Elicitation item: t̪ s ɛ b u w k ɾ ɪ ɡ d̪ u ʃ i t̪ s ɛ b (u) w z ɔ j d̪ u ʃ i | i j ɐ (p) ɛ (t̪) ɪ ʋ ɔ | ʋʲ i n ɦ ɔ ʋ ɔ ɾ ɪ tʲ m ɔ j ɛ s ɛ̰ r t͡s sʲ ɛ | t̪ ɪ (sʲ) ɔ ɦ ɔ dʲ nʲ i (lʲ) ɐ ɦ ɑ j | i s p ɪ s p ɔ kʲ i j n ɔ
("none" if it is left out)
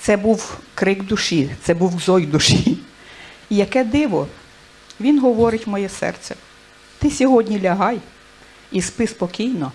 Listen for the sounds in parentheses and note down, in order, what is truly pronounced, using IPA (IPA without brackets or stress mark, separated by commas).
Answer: u, k, d̪, sʲ, lʲ